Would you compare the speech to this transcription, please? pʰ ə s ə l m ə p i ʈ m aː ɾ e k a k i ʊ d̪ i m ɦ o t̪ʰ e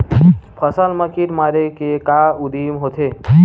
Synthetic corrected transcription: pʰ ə s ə l m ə k i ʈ m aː ɾ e k e k a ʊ d̪ i m ɦ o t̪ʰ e